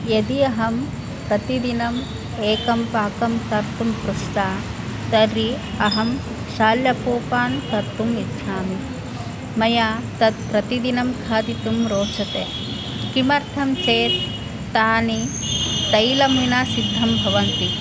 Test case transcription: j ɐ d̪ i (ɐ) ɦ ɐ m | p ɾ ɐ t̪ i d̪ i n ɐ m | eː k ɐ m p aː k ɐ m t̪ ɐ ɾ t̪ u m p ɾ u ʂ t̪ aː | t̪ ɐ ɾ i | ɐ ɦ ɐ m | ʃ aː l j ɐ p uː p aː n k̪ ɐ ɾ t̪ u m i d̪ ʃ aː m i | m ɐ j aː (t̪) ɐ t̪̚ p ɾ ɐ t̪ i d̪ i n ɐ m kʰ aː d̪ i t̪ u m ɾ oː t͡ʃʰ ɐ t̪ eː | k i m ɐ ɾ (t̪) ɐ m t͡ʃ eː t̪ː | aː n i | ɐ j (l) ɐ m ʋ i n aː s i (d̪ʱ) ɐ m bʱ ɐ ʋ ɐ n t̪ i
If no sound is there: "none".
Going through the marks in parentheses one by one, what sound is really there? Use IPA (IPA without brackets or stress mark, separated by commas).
ɐ, t̪, t̪ʰ, l, d̪ʱː